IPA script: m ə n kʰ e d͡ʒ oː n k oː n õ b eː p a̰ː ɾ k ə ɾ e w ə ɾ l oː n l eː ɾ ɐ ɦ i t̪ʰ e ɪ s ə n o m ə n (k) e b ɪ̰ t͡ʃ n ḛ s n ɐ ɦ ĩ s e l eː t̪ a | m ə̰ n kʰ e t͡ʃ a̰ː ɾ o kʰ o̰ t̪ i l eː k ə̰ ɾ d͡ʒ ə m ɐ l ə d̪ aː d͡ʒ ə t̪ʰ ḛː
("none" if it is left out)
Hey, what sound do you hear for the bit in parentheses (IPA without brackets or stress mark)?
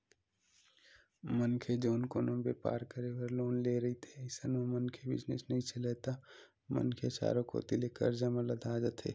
kʰ